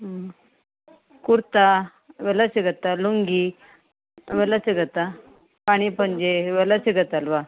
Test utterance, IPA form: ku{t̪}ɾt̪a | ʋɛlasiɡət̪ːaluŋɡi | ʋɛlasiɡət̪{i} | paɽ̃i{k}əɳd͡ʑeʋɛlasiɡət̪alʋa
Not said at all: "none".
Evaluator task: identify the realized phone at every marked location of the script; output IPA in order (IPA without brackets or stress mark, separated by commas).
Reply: none, a, p